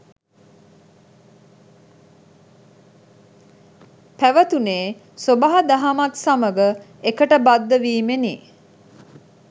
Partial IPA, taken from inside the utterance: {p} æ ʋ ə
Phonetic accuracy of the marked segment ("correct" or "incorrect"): correct